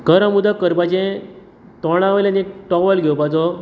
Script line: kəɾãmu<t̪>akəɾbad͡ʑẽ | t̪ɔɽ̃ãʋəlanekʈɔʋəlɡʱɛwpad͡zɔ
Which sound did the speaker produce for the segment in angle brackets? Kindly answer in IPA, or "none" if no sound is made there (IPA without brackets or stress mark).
d̪